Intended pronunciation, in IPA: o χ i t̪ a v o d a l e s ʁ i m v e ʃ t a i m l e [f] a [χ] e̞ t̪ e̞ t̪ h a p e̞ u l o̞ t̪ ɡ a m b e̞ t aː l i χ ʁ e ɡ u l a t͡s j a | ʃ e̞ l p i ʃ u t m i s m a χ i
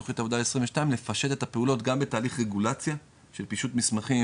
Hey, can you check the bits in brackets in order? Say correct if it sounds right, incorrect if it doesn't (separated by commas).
correct, incorrect